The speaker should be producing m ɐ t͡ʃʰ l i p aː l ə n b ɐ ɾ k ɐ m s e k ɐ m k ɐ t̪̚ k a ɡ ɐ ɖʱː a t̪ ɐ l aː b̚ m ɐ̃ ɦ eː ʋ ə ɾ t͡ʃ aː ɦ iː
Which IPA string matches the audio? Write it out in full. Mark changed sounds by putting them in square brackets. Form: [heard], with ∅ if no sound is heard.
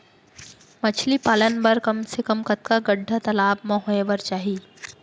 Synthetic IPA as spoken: m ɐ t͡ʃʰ l i p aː l ə n b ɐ ɾ k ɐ m s e k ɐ m k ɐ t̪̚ k a ɡ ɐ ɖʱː a t̪ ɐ l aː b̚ m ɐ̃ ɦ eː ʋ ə ɾ t͡ʃ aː ɦ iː